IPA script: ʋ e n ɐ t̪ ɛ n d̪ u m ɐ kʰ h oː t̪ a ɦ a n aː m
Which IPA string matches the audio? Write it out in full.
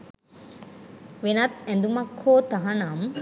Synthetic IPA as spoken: ʋ e n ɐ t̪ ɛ n d̪ u m ɐ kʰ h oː t̪ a ɦ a n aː m

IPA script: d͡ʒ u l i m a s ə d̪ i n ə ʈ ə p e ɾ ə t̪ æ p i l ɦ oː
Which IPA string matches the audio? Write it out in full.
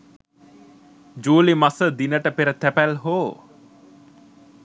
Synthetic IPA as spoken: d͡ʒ uː l i m a s ə d̪ i n ə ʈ ə p e ɾ ə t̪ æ p æ l ɦ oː

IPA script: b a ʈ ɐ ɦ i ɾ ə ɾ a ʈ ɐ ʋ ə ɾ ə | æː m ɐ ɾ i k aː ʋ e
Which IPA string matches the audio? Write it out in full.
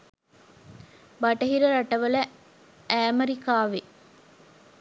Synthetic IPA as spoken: b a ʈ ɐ ɦ i ɾ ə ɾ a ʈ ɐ ʋ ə l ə | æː m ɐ ɾ i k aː ʋ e

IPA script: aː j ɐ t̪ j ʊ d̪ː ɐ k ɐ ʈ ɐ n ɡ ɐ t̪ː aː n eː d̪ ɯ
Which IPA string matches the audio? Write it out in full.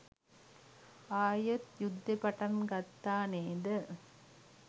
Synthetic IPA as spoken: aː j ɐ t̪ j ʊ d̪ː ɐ p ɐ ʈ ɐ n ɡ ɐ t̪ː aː n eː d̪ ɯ

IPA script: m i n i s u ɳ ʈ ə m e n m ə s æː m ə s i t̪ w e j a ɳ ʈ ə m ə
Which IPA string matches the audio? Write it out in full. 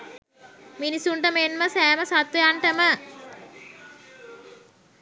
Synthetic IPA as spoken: m i n i s u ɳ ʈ ə m e n m ə s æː m ə s a t̪ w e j a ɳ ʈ ə m ə

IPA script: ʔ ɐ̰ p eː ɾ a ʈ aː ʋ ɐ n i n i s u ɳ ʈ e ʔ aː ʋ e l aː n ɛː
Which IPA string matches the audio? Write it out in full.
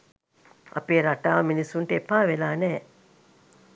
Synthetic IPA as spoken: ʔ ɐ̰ p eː ɾ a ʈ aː ʋ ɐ m i n i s u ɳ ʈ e p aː ʋ e l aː n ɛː

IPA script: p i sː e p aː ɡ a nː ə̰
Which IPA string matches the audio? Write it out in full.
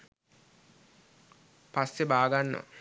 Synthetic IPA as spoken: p a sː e b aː ɡ a nː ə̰

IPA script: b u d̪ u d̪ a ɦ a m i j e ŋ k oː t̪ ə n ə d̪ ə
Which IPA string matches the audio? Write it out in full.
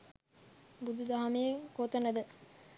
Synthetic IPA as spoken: b u d̪ u d̪ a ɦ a m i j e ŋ k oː t̪ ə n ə d̪ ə

